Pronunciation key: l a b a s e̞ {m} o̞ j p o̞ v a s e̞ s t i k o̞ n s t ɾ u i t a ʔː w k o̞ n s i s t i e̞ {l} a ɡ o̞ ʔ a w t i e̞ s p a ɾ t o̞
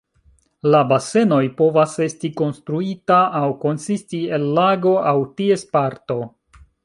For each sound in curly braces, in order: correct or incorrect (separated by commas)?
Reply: incorrect, incorrect